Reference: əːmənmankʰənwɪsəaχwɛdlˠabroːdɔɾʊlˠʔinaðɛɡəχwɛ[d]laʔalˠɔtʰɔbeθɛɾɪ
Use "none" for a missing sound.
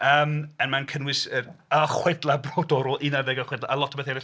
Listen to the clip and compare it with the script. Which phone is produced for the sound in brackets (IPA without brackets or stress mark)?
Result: d